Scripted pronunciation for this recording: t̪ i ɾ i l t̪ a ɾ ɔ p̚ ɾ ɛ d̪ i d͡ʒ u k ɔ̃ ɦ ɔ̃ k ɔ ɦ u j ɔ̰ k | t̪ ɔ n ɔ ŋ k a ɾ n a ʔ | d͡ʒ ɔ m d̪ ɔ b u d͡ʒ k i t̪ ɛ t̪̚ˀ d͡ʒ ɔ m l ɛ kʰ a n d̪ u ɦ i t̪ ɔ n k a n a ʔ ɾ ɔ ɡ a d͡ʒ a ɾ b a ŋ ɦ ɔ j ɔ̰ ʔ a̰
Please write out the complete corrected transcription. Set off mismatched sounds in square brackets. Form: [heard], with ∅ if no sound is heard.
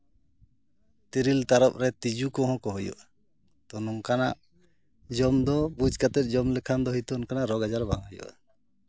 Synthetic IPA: t̪ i ɾ i l t̪ a ɾ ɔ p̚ ɾ ɛ [t̪] i d͡ʒ u k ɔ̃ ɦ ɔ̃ k ɔ ɦ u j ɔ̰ [ʔ] | t̪ ɔ n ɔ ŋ k a [∅] n a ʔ | d͡ʒ ɔ m d̪ ɔ b u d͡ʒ k [a] t̪ ɛ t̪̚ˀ d͡ʒ ɔ m l ɛ kʰ a n d̪ [ɔ] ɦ i t̪ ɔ n k a n a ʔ ɾ ɔ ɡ a d͡ʒ a ɾ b a ŋ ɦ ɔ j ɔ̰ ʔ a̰